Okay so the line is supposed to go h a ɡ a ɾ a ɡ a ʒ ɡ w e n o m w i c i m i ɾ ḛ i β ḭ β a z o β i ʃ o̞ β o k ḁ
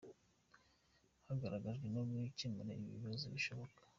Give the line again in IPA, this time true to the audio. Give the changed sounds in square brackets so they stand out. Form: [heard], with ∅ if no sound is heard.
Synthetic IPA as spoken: h a ɡ a ɾ a ɡ a ʒ ɡ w e n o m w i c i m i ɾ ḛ i β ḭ β a z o β i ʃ o̞ β o k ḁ